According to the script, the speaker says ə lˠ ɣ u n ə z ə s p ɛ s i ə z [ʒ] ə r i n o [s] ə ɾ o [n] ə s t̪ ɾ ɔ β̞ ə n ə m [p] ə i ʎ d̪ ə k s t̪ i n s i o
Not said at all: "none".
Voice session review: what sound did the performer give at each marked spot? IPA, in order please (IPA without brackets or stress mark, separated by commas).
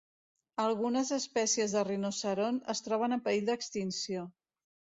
ð, s, n, p